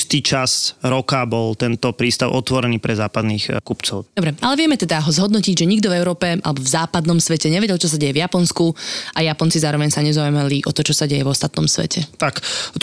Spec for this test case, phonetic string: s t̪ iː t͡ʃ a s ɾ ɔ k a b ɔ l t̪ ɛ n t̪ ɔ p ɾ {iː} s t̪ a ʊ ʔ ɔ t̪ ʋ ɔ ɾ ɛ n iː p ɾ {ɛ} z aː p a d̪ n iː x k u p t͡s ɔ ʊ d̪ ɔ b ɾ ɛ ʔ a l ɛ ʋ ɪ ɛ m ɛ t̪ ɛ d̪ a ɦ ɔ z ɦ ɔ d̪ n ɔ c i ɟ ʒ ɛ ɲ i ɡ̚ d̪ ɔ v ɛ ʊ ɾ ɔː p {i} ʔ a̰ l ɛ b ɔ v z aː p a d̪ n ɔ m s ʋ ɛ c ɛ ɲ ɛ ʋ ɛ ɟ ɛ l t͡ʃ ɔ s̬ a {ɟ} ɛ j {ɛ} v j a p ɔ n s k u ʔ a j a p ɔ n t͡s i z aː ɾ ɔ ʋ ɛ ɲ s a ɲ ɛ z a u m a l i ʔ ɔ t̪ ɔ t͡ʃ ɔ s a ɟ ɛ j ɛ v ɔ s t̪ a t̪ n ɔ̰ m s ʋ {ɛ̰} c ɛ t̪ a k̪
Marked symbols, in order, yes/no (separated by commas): yes, yes, no, yes, yes, yes